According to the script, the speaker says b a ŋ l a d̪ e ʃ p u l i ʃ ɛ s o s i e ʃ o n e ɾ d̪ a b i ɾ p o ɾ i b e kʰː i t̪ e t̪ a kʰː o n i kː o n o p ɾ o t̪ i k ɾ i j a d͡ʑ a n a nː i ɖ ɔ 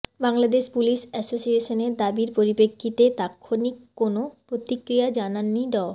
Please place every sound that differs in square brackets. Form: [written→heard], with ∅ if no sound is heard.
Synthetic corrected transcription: b a ŋ l a d̪ e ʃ p u l i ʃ ɛ s o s i e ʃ o n e ɾ d̪ a b i ɾ p o ɾ i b e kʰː i t̪ e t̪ a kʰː o n i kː o n o p ɾ o t̪ i k ɾ i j a d͡ʑ a n a nː i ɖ ɔ